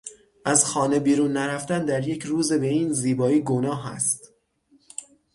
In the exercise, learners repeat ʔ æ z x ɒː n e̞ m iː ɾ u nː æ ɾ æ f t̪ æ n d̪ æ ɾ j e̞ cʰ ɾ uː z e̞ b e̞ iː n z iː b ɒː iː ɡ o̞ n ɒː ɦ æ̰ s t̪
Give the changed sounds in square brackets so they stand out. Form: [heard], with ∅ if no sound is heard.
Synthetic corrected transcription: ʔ æ z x ɒː n e̞ [b] iː ɾ u nː æ ɾ æ f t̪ æ n d̪ æ ɾ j e̞ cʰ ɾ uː z e̞ b e̞ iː n z iː b ɒː iː ɡ o̞ n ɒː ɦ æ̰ s t̪